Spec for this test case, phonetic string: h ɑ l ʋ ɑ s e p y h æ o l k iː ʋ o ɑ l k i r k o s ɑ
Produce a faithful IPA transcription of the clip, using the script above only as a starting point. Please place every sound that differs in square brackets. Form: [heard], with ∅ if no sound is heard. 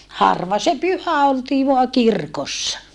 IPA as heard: h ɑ [r] ʋ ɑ s e p y h æ o l [t] iː ʋ o ɑ [∅] k i r k o [sː] ɑ